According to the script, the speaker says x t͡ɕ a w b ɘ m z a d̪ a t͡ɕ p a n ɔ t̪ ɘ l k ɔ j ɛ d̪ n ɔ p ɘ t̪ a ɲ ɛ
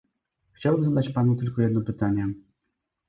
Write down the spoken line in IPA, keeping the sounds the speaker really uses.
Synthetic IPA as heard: x t͡ɕ a w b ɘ m z a d̪ a t͡ɕ p a n u t̪ ɘ l k ɔ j ɛ d̪ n ɔ p ɘ t̪ a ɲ ɛ